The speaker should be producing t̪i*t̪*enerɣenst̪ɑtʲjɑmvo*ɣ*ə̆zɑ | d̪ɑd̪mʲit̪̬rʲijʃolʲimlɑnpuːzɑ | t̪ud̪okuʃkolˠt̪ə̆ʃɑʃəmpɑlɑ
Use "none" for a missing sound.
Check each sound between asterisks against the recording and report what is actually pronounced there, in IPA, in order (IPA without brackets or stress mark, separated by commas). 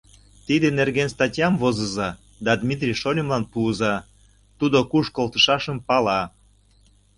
d̪, z